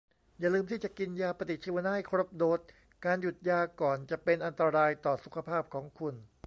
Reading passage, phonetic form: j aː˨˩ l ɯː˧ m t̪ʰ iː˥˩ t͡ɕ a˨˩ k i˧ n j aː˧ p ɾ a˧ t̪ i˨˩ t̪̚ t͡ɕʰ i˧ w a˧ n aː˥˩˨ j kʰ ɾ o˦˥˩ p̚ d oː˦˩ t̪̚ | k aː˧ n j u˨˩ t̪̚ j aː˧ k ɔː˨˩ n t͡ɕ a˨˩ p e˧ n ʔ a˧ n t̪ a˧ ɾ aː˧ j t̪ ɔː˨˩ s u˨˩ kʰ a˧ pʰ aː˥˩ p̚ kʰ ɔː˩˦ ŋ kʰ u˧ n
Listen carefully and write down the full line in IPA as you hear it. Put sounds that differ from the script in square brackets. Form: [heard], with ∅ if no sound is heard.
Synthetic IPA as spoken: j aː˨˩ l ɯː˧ m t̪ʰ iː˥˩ t͡ɕ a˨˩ k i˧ n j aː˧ p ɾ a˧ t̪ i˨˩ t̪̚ t͡ɕʰ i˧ w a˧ n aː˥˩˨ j kʰ ɾ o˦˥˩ p̚ d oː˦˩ t̪̚ | k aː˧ n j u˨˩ t̪̚ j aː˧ k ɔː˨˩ n t͡ɕ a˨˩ p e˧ n ʔ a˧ n t̪ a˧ ɾ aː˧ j t̪ ɔː˨˩ s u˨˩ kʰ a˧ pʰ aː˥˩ p̚ kʰ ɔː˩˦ ŋ kʰ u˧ n